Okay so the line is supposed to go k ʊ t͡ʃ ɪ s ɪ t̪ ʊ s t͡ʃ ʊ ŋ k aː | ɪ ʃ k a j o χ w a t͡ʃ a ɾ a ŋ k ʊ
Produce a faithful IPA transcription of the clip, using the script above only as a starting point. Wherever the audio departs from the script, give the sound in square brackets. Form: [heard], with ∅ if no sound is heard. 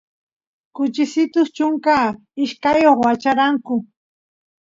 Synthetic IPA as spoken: k ʊ t͡ʃ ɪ s ɪ t̪ ʊ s t͡ʃ ʊ ŋ k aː | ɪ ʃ k a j o χ w a t͡ʃ a ɾ a ŋ k ʊ